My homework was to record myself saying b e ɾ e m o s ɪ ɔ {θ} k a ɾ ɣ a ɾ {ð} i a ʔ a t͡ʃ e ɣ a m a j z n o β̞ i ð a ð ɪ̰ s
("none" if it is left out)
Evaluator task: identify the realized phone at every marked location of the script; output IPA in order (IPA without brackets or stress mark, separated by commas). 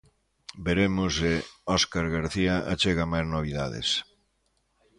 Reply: s, θ